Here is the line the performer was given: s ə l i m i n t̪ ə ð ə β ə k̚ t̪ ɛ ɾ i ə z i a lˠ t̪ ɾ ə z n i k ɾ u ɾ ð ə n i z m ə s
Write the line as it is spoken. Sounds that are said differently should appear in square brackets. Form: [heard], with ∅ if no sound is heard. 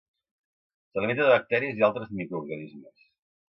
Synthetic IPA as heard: s ə l i m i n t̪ ə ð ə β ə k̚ t̪ ɛ ɾ i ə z i a lˠ t̪ ɾ ə z [m] i k ɾ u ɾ [ɣ] ə n i z m ə s